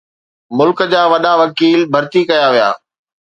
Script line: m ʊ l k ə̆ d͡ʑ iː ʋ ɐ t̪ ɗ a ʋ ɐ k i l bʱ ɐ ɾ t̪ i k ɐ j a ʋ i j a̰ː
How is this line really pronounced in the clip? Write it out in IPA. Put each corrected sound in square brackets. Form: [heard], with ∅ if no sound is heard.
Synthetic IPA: m ʊ l k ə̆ d͡ʑ [aː] ʋ ɐ [∅] ɗ a ʋ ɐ k [iː] l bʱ ɐ ɾ t̪ i k ɐ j a ʋ i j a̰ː